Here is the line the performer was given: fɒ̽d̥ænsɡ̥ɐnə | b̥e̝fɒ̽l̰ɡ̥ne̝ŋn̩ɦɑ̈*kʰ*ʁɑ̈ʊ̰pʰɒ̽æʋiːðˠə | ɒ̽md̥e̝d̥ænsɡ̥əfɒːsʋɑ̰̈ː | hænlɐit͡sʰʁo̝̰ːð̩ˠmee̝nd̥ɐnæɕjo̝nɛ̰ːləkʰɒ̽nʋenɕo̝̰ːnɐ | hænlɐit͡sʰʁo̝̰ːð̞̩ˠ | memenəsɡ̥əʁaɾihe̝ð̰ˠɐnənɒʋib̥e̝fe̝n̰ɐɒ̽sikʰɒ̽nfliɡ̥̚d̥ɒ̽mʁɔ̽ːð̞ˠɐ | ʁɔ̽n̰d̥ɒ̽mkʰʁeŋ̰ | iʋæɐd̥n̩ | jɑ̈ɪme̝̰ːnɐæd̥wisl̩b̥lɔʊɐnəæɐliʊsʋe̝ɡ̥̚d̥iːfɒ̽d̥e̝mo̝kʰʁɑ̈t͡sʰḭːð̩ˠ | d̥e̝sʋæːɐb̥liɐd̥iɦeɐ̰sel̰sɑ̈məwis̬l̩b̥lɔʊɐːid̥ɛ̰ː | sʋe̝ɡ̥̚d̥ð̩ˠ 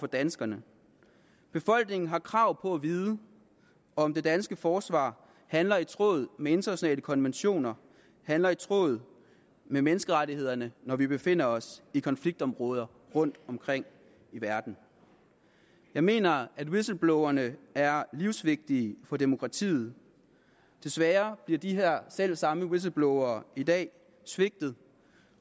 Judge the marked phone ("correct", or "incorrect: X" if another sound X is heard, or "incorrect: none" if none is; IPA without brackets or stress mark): correct